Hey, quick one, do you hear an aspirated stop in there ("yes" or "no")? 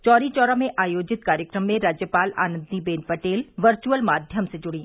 no